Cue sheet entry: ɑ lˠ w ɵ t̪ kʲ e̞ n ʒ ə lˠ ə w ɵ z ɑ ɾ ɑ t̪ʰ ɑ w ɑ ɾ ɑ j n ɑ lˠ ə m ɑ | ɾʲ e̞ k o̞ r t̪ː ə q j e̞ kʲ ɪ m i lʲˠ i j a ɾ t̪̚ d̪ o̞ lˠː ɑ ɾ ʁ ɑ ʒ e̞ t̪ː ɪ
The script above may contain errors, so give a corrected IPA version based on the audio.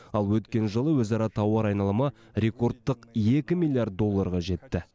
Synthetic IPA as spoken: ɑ lˠ w ɵ t̪ kʲ e̞ n ʒ ə lˠ ə w ɵ z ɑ ɾ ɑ t̪ʰ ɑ w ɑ ɾ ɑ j n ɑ lˠ ə m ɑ | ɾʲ e̞ k o̞ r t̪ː ə q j e̞ kʲ ɪ m i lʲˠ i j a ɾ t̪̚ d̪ o̞ lˠː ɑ ɾ ʁ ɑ ʒ e̞ t̪ː ɪ